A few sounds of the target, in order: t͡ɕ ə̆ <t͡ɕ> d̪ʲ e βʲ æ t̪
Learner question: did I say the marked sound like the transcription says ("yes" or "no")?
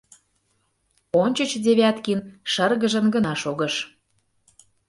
yes